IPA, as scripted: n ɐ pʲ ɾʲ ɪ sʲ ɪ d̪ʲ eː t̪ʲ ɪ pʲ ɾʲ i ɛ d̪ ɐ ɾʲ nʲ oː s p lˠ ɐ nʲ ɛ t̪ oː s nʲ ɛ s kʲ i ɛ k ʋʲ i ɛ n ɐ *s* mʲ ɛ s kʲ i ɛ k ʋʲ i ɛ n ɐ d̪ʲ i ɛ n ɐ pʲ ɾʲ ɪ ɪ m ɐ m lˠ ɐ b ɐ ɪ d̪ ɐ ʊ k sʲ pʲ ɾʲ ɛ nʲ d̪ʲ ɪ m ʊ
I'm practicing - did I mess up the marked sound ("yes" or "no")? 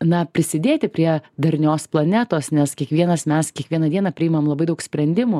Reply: no